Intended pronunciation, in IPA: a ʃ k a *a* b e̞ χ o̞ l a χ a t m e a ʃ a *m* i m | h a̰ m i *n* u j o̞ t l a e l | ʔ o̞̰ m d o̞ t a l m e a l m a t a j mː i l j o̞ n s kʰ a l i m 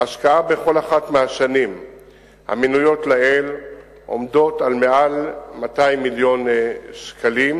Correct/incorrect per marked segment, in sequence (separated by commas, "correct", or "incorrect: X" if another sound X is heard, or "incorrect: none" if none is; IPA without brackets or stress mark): correct, incorrect: n, correct